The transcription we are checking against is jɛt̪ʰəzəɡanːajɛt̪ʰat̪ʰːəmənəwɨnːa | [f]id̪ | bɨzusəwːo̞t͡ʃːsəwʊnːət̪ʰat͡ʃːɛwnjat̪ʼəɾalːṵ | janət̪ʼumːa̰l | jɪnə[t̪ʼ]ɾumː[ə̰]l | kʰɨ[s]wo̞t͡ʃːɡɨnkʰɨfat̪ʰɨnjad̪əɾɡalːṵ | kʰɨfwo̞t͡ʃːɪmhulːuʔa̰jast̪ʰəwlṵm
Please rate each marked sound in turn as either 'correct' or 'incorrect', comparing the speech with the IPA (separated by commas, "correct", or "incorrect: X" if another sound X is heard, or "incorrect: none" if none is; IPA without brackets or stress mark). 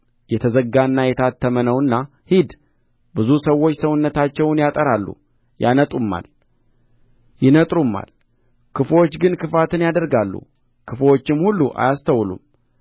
incorrect: h, correct, incorrect: a̰, incorrect: f